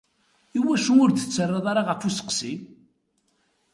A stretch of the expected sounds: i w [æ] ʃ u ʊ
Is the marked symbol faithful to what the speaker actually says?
yes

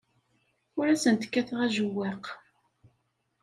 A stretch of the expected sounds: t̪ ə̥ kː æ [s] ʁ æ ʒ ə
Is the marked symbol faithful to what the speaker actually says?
no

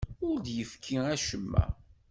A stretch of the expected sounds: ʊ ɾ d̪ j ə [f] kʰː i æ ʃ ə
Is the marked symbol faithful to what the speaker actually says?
yes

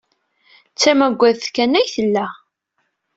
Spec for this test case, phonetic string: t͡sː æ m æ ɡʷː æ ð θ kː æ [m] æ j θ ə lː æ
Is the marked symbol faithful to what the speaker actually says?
no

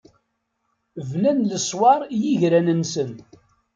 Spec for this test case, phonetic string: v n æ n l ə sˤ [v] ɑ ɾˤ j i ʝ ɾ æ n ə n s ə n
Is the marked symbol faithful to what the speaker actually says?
no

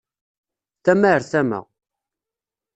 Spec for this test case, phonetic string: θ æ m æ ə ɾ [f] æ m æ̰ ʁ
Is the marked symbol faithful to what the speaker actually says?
no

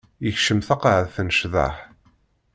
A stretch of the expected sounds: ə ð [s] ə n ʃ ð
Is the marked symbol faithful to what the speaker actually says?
no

